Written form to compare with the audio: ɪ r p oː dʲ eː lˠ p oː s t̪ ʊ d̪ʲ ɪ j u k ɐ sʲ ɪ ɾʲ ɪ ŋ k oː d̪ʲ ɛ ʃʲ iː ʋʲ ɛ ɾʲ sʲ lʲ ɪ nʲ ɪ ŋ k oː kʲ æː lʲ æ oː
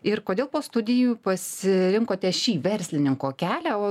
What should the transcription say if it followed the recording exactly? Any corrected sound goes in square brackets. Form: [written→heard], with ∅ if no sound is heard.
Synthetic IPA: ɪ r [p→k] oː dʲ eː lˠ p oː s t̪ ʊ d̪ʲ ɪ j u [k→p] ɐ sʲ ɪ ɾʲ ɪ ŋ k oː [d̪ʲ→t̪ʲ] ɛ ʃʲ iː ʋʲ ɛ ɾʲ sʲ lʲ ɪ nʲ ɪ ŋ k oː kʲ æː lʲ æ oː

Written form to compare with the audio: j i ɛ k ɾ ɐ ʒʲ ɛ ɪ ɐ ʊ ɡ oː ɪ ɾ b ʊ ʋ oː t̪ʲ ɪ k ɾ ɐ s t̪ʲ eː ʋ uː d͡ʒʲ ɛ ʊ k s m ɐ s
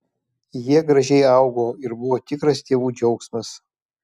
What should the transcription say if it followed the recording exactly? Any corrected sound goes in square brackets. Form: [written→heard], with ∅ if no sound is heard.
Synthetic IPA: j i ɛ [k→ɡ] ɾ ɐ ʒʲ ɛ ɪ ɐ ʊ ɡ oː ɪ ɾ b ʊ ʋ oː t̪ʲ ɪ k ɾ ɐ s t̪ʲ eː ʋ uː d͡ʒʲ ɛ ʊ k s m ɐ s

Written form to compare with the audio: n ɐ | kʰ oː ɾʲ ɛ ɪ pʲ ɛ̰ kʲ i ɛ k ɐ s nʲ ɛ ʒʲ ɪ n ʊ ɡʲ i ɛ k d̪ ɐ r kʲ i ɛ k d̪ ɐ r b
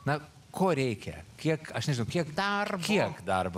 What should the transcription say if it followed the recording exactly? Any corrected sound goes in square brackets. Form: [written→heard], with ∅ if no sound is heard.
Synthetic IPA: n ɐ | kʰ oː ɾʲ ɛ ɪ [pʲ→kʲ] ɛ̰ kʲ i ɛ k ɐ [s→ʃ] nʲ ɛ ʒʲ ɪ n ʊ [ɡʲ→kʲ] i ɛ k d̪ ɐ r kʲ i ɛ k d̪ ɐ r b

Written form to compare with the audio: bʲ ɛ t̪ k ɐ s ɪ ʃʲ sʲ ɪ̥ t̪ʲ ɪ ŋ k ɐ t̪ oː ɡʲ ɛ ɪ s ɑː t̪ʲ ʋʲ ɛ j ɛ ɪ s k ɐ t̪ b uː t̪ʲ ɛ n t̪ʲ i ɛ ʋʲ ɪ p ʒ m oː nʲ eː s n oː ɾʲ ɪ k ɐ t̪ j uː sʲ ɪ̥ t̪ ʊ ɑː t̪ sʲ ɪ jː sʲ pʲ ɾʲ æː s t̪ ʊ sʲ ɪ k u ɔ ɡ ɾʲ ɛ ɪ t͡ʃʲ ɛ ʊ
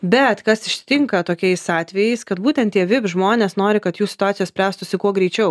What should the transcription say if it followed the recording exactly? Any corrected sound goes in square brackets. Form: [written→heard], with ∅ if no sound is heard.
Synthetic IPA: bʲ ɛ t̪ k ɐ s ɪ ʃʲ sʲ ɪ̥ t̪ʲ ɪ ŋ k ɐ t̪ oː [ɡʲ→kʲ] ɛ ɪ s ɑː t̪ʲ ʋʲ ɛ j ɛ ɪ s k ɐ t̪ b uː t̪ʲ ɛ n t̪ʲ i ɛ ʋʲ ɪ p ʒ m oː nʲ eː s n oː ɾʲ ɪ k ɐ t̪ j uː sʲ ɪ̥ t̪ ʊ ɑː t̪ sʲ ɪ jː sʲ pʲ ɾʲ æː s t̪ ʊ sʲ ɪ k u ɔ ɡ ɾʲ ɛ ɪ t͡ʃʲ ɛ ʊ

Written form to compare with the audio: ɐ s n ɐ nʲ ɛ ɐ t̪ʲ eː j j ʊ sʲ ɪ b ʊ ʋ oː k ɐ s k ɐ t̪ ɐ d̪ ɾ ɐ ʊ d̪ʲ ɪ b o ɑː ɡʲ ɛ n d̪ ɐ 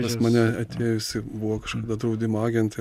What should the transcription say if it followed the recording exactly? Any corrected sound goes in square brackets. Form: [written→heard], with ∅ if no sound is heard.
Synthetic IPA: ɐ s [n→m] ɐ nʲ ɛ ɐ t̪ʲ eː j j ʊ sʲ ɪ b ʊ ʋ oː k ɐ [s→ʃ] k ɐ [t̪→d̪] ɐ d̪ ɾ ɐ ʊ d̪ʲ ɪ [b→m] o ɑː ɡʲ ɛ n [d̪→t̪] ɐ

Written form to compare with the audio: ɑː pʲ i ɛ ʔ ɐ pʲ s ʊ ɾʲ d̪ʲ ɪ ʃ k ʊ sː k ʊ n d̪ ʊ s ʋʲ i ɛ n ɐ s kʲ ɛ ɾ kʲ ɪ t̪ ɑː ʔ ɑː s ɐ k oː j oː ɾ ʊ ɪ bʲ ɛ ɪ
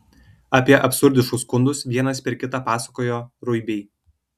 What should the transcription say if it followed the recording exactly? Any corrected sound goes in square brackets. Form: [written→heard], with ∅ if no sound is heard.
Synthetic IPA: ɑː pʲ i ɛ ʔ ɐ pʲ s ʊ ɾʲ d̪ʲ ɪ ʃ k ʊ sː k ʊ n d̪ ʊ s ʋʲ i ɛ n ɐ s [kʲ→pʲ] ɛ ɾ kʲ ɪ t̪ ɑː [ʔ→p] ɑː s ɐ k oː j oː ɾ ʊ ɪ bʲ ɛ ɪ

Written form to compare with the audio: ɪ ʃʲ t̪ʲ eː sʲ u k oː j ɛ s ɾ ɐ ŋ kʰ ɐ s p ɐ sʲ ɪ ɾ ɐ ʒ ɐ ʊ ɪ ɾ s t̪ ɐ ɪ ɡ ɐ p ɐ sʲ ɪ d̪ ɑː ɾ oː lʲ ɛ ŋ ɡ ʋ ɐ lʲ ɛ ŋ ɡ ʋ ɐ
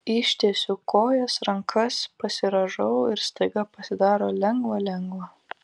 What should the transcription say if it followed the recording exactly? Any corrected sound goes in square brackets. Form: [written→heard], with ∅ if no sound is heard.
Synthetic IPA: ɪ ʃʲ t̪ʲ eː sʲ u k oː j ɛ s ɾ ɐ ŋ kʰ ɐ s p ɐ sʲ ɪ ɾ ɐ ʒ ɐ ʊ ɪ ɾ s t̪ ɐ ɪ ɡ ɐ p ɐ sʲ ɪ d̪ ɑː ɾ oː lʲ ɛ ŋ ɡ ʋ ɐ lʲ ɛ ŋ ɡ ʋ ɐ

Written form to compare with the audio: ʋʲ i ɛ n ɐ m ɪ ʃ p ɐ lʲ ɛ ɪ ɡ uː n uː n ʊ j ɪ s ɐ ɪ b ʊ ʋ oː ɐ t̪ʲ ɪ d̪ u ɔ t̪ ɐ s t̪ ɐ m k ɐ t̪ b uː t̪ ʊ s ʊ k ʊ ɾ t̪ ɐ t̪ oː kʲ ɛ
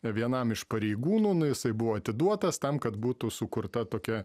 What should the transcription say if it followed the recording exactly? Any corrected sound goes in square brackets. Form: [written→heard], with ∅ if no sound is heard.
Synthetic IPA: ʋʲ i ɛ n ɐ m ɪ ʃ p ɐ [lʲ→ɾʲ] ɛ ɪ ɡ uː n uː n ʊ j ɪ s ɐ ɪ b ʊ ʋ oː ɐ t̪ʲ ɪ d̪ u ɔ t̪ ɐ s t̪ ɐ m k ɐ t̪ b uː t̪ ʊ s ʊ k ʊ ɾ t̪ ɐ t̪ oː kʲ ɛ

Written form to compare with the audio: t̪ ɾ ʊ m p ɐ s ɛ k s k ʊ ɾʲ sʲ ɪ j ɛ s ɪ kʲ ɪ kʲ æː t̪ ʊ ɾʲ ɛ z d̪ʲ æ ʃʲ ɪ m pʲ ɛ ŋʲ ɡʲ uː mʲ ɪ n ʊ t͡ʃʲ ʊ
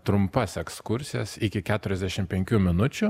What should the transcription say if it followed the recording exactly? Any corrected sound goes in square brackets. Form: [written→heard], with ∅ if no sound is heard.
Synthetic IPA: t̪ ɾ ʊ m p ɐ s ɛ k s k ʊ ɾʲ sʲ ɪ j ɛ s ɪ kʲ ɪ kʲ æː t̪ ʊ ɾʲ ɛ z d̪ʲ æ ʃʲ ɪ m pʲ ɛ ŋʲ [ɡʲ→kʲ] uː mʲ ɪ n ʊ t͡ʃʲ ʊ

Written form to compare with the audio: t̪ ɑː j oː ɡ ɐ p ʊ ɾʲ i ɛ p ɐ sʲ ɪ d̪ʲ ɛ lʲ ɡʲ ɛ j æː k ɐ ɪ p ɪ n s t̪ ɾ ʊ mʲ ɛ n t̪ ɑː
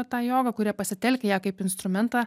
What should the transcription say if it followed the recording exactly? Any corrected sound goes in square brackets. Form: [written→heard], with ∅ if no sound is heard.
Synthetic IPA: t̪ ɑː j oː ɡ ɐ [p→k] ʊ ɾʲ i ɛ p ɐ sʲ ɪ [d̪ʲ→t̪ʲ] ɛ lʲ [ɡʲ→kʲ] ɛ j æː k ɐ ɪ p ɪ n s t̪ ɾ ʊ mʲ ɛ n t̪ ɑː

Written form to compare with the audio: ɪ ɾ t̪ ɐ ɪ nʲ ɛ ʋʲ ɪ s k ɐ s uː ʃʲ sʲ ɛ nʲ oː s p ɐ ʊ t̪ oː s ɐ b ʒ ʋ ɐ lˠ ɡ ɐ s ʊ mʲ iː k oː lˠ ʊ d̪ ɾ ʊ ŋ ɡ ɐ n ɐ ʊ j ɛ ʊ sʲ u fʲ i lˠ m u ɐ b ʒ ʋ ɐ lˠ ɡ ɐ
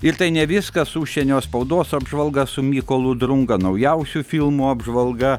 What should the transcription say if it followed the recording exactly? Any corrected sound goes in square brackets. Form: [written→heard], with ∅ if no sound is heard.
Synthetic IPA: ɪ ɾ t̪ ɐ ɪ nʲ ɛ ʋʲ ɪ s k ɐ s uː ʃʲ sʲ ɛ nʲ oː s p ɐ ʊ [t̪→d̪] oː s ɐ b ʒ ʋ ɐ lˠ ɡ ɐ s ʊ mʲ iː k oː lˠ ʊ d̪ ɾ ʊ ŋ ɡ ɐ n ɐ ʊ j ɛ ʊ sʲ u fʲ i lˠ m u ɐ b ʒ ʋ ɐ lˠ ɡ ɐ

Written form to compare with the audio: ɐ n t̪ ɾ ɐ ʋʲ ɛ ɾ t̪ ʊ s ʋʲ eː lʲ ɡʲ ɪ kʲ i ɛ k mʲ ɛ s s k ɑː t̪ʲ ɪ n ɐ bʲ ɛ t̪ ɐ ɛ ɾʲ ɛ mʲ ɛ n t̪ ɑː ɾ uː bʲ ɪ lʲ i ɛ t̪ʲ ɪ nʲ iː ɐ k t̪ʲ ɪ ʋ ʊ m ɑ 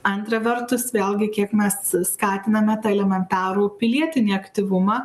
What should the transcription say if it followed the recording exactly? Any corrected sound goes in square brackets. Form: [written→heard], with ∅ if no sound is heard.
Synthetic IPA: ɐ n t̪ ɾ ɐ ʋʲ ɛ ɾ t̪ ʊ s ʋʲ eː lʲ ɡʲ ɪ kʲ i ɛ k mʲ ɛ s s k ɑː t̪ʲ ɪ n ɐ [bʲ→mʲ] ɛ t̪ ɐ ɛ [ɾʲ→lʲ] ɛ mʲ ɛ n t̪ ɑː ɾ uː [bʲ→pʲ] ɪ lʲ i ɛ t̪ʲ ɪ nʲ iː ɐ k t̪ʲ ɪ ʋ ʊ m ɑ

